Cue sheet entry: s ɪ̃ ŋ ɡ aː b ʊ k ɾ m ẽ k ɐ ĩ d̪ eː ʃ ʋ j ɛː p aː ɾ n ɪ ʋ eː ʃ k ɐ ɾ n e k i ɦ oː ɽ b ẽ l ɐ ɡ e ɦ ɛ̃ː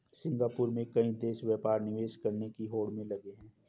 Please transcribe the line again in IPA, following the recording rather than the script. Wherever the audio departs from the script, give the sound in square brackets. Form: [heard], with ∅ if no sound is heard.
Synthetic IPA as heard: s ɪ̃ ŋ ɡ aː [p] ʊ [∅] ɾ m ẽ k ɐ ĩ d̪ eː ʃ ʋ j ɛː p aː ɾ n ɪ ʋ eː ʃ k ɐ ɾ n e k i ɦ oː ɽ [m] ẽ l ɐ ɡ e ɦ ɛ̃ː